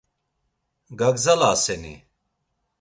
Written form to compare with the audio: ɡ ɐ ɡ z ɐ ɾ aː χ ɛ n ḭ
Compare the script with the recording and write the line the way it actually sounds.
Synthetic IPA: ɡ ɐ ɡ z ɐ l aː s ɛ n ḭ